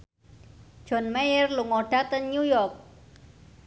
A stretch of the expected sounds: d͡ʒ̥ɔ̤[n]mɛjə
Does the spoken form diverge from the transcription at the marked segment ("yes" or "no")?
no